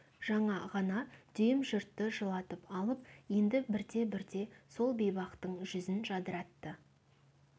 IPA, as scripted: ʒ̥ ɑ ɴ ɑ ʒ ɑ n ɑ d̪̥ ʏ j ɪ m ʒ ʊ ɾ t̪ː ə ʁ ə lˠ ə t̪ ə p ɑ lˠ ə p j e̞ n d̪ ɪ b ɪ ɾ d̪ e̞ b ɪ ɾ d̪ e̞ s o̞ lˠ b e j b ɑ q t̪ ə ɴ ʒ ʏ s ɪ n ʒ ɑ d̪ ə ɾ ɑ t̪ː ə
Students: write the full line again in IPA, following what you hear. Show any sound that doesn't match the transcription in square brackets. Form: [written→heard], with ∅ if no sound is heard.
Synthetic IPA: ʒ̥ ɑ ɴ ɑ [ʒ→ʁ] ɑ n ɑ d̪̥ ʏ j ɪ m ʒ ʊ ɾ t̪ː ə [ʁ→ʒ] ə lˠ [ə→ɑ] t̪ ə p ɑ lˠ ə p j e̞ n d̪ ɪ b ɪ ɾ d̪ e̞ b ɪ ɾ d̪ e̞ s o̞ lˠ b e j b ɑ q t̪ ə ɴ ʒ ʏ [s→z] ɪ n ʒ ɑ d̪ ə ɾ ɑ t̪ː ə

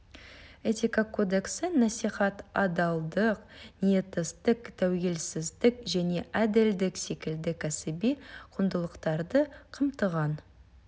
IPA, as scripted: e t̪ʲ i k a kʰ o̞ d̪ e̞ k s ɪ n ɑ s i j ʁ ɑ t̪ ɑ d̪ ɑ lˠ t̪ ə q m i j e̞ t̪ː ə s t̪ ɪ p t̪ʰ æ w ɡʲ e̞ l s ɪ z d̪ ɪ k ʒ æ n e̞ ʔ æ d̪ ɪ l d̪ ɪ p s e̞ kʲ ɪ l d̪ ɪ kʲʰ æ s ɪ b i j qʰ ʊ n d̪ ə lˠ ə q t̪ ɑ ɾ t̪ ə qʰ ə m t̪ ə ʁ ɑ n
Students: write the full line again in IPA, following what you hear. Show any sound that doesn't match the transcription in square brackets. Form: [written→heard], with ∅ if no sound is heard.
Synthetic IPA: e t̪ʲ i k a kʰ o̞ d̪ e̞ k s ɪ n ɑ s i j [ʁ→χ] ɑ t̪ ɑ d̪ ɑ lˠ [t̪→d̪] ə q [m→n] i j e̞ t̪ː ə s t̪ ɪ [p→k] t̪ʰ æ w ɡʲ e̞ l s ɪ z d̪ ɪ k ʒ æ n e̞ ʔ æ d̪ ɪ l d̪ ɪ [p→k] s e̞ kʲ ɪ l d̪ ɪ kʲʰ æ s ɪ b i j qʰ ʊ n d̪ ə lˠ ə q t̪ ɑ ɾ [t̪→d̪] ə qʰ ə m t̪ ə ʁ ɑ n

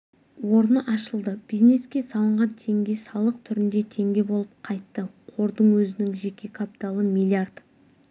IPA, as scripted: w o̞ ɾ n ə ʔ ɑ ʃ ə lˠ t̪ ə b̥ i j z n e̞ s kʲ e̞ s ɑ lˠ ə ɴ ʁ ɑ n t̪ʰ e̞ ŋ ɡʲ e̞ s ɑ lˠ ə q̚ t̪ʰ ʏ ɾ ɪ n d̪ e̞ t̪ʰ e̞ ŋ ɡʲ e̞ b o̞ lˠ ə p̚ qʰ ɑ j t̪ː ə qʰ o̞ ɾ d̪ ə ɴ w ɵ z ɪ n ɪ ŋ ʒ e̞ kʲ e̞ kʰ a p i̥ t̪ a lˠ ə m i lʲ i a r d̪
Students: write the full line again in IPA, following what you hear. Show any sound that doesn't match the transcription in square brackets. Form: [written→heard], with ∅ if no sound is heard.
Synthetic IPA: w o̞ ɾ n ə ʔ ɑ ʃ ə lˠ [t̪→d̪] ə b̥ i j z n e̞ s kʲ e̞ s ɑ lˠ ə ɴ ʁ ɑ n t̪ʰ e̞ ŋ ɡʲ e̞ s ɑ lˠ ə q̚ t̪ʰ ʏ ɾ ɪ n d̪ e̞ t̪ʰ e̞ ŋ ɡʲ e̞ b o̞ lˠ ə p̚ qʰ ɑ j t̪ː ə qʰ o̞ ɾ d̪ ə ɴ w ɵ z ɪ n ɪ ŋ ʒ e̞ kʲ e̞ kʰ a p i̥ t̪ a lˠ ə m i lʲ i a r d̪

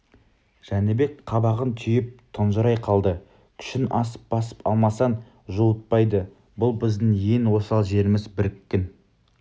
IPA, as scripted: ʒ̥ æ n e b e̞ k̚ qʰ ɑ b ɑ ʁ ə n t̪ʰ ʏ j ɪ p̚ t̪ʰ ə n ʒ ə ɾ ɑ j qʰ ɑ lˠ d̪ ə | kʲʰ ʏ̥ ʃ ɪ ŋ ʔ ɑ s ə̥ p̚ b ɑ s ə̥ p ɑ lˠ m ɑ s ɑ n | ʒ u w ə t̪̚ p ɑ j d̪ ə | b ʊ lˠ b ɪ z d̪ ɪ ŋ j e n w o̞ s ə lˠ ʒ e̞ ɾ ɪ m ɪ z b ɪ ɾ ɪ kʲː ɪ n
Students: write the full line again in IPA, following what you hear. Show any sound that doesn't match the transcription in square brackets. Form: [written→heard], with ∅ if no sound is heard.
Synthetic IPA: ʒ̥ æ n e b e̞ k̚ qʰ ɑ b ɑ ʁ ə n t̪ʰ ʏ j ɪ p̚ t̪ʰ ə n ʒ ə ɾ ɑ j qʰ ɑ lˠ d̪ ə | kʲʰ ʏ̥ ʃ ɪ [ŋ→n] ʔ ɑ s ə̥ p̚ b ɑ s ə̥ p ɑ lˠ m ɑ s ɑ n | ʒ u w ə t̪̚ p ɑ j d̪ ə | b ʊ lˠ b ɪ z d̪ ɪ ŋ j e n w o̞ s [ə→ɑ] lˠ ʒ e̞ ɾ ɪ m ɪ z b ɪ ɾ ɪ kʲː ɪ n

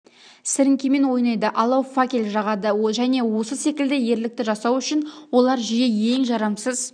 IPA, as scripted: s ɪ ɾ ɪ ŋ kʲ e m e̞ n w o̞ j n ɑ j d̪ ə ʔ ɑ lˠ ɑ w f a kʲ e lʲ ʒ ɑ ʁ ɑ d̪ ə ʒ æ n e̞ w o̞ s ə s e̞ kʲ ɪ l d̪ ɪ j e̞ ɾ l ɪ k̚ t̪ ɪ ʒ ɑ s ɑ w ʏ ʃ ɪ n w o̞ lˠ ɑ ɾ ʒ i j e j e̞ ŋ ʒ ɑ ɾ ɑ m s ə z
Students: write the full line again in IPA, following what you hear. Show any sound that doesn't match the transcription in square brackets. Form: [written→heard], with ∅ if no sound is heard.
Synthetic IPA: s ɪ ɾ ɪ ŋ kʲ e m e̞ n w o̞ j n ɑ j d̪ ə ʔ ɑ lˠ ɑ w f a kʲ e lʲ ʒ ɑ ʁ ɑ d̪ ə ʒ æ n e̞ w o̞ s ə s e̞ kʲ ɪ l d̪ ɪ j e̞ ɾ l ɪ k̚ t̪ ɪ ʒ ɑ s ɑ w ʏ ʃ ɪ n w o̞ lˠ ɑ ɾ ʒ i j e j e̞ ŋ ʒ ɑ ɾ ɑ m s ə z

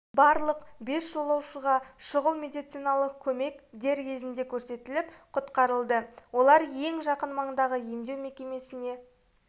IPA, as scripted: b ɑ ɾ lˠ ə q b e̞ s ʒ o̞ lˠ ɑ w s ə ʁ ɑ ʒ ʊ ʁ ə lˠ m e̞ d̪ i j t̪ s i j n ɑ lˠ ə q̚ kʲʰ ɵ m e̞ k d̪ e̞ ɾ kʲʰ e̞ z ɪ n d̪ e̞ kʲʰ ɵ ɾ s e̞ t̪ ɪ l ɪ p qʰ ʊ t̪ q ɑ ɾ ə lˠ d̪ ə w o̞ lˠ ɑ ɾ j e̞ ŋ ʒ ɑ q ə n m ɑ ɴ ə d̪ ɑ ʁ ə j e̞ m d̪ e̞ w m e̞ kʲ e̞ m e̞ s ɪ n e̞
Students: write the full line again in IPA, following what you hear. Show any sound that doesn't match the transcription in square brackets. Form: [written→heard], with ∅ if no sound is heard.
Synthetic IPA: b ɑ ɾ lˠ ə q b e̞ s ʒ o̞ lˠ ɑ w [s→ʃ] ə ʁ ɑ [ʒ→ʃ] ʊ ʁ ə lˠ m e̞ d̪ i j t̪ s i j n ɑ lˠ ə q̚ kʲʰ ɵ m e̞ k d̪ e̞ ɾ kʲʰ e̞ z ɪ n d̪ e̞ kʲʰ ɵ ɾ s e̞ t̪ ɪ l ɪ p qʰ ʊ t̪ q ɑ ɾ ə lˠ d̪ ə w o̞ lˠ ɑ ɾ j e̞ ŋ ʒ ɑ q ə n m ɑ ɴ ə d̪ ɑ ʁ ə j e̞ m d̪ e̞ w m e̞ kʲ e̞ m e̞ s ɪ n e̞

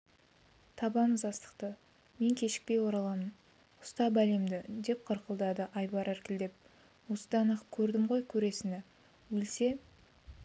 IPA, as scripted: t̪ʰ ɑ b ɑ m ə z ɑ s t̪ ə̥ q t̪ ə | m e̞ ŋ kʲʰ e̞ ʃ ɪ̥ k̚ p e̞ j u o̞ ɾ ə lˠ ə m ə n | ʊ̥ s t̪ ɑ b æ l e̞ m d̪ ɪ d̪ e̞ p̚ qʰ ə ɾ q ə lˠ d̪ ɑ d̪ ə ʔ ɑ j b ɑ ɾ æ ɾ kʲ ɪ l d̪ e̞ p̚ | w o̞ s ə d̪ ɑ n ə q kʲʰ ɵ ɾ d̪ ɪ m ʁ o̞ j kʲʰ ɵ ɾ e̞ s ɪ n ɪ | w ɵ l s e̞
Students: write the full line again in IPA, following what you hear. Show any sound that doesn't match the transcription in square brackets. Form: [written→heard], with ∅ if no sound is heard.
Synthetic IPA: t̪ʰ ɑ b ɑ m ə z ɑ s t̪ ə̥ q t̪ ə | m e̞ ŋ kʲʰ e̞ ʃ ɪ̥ k̚ p e̞ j [u→w] o̞ ɾ [ə→ɑ] lˠ [ə→ɑ] m ə n | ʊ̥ s t̪ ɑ b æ l e̞ m d̪ ɪ d̪ e̞ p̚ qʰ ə ɾ q ə lˠ d̪ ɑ d̪ ə ʔ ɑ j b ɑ ɾ æ ɾ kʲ ɪ l d̪ e̞ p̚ | w o̞ s ə d̪ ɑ n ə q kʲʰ ɵ ɾ d̪ ɪ m ʁ o̞ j kʲʰ ɵ ɾ e̞ s ɪ n ɪ | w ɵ l s e̞

